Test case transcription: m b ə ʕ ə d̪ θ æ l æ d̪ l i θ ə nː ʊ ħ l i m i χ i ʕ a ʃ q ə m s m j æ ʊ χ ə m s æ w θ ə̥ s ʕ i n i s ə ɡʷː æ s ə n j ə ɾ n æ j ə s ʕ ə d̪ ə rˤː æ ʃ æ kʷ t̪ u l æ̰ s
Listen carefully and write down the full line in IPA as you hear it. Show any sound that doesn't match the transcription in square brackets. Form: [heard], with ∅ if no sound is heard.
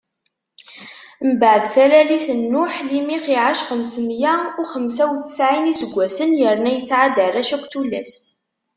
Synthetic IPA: m b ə ʕ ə d̪ θ æ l æ [∅] l i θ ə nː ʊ ħ l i m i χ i ʕ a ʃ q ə m s m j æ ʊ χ ə m s æ w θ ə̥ s ʕ i n i s ə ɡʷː æ s ə n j ə ɾ n æ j ə s ʕ [a] d̪ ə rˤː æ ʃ æ kʷ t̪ u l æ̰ s